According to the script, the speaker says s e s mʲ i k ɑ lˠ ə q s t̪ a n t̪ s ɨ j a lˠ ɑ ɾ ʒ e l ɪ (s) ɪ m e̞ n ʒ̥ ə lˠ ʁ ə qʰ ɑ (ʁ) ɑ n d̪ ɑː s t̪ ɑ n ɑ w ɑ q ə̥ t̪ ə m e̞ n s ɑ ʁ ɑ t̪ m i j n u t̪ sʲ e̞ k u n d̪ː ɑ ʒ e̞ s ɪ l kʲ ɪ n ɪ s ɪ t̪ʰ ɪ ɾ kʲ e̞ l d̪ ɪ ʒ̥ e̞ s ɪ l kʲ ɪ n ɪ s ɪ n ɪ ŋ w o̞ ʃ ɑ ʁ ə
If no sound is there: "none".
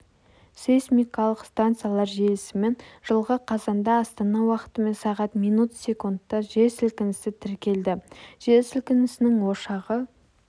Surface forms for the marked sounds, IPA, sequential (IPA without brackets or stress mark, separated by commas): s, z